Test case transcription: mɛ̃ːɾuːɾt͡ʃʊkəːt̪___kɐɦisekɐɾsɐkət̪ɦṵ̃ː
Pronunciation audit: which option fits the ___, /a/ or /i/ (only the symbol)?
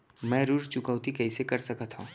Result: i